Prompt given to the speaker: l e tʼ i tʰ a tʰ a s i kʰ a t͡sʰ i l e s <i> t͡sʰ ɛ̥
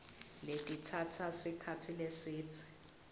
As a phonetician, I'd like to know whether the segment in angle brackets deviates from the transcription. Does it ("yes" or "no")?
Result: yes